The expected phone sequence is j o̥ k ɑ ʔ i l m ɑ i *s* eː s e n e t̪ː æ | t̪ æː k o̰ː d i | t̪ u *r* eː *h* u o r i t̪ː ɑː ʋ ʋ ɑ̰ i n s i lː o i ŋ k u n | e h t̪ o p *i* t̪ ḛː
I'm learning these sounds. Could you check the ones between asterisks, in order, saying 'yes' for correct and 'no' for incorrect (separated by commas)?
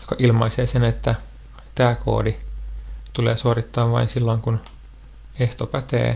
yes, no, no, no